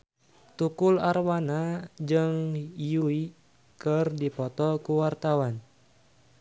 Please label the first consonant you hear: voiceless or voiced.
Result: voiceless